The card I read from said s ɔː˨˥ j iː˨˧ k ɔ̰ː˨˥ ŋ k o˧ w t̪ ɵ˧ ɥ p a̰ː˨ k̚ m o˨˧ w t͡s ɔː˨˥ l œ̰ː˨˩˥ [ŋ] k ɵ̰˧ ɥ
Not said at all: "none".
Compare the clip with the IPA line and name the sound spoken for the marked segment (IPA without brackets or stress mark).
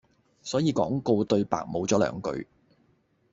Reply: ŋ